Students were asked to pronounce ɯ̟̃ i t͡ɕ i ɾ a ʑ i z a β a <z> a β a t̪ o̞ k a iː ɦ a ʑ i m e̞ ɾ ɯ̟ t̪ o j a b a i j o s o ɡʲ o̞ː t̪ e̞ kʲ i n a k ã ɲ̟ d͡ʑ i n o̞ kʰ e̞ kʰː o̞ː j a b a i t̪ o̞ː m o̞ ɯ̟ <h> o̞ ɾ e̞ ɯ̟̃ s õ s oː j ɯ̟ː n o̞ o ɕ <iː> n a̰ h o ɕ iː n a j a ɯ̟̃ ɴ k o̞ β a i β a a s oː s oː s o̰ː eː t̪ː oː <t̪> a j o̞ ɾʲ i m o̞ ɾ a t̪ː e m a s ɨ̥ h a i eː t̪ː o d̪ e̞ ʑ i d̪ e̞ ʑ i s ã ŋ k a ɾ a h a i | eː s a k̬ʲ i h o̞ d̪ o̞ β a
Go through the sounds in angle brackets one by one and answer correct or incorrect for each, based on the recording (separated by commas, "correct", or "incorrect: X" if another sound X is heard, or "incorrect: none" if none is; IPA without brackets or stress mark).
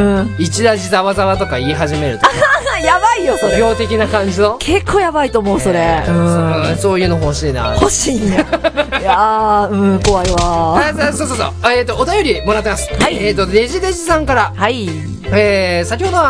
correct, incorrect: s, correct, correct